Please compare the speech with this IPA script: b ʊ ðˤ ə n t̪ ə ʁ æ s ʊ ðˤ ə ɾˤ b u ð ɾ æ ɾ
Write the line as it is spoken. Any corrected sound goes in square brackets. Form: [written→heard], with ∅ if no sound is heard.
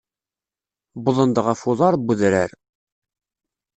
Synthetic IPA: b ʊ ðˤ ə n [t̪→d̪] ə ʁ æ [s→f] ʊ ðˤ [ə→ɑ] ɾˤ b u ð ɾ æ ɾ